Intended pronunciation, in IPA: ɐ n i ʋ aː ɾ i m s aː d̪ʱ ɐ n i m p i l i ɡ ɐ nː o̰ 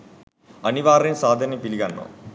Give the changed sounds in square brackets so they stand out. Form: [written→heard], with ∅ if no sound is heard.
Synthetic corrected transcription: ɐ n i ʋ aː ɾ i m s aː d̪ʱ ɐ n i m p i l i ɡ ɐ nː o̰